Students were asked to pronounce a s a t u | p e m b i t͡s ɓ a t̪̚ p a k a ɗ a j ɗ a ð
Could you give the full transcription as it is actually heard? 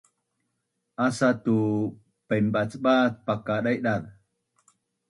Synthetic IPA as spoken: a s a t u | p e m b a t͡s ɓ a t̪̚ p a k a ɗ a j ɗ a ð